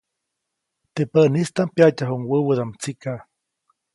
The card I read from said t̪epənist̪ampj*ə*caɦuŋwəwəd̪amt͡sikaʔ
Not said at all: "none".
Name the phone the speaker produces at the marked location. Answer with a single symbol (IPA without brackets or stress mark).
a